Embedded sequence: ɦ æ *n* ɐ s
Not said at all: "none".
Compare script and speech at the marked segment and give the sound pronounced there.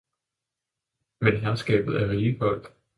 none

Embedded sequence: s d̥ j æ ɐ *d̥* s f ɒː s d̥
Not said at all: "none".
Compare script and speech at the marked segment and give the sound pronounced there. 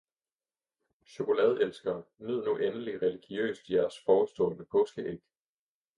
none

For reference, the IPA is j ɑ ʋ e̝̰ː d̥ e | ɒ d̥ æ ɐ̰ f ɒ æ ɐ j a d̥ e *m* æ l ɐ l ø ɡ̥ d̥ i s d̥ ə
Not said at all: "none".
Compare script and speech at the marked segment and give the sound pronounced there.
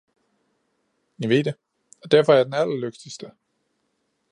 n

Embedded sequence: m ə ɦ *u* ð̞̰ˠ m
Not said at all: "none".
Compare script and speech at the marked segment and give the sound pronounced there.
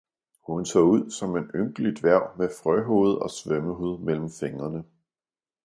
u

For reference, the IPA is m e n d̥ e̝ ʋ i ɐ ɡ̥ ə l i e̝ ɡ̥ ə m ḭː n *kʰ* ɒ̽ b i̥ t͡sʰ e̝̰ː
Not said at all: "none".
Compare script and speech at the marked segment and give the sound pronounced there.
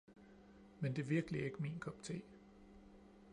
kʰ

